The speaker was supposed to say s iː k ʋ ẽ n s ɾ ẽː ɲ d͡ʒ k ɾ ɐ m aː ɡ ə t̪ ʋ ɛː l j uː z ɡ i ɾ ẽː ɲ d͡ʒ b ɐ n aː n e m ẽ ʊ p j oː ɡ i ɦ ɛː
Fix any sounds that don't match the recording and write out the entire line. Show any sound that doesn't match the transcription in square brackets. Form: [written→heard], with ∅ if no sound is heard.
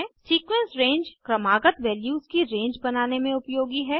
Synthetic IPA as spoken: s iː k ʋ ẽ n s ɾ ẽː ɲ d͡ʒ k ɾ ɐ m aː ɡ ə t̪ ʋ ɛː l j uː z [ɡ→k] i ɾ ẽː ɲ d͡ʒ b ɐ n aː n e m ẽ ʊ p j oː ɡ i ɦ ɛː

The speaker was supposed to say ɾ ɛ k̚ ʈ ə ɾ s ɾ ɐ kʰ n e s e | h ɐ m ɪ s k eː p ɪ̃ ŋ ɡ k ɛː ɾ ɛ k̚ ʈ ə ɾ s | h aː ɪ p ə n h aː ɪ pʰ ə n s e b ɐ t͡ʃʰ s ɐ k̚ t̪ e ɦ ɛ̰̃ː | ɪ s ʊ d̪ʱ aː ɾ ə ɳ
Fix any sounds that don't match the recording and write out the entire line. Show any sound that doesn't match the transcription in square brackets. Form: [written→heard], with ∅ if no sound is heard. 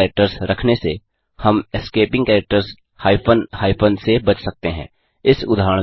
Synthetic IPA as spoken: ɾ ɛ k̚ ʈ ə ɾ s ɾ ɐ kʰ n e s e | h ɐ m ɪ s k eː p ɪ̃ ŋ ɡ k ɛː ɾ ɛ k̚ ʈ ə ɾ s | h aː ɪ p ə n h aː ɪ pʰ ə n s e b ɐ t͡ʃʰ s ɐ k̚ t̪ e ɦ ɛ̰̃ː | ɪ s ʊ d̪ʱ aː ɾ ə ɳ

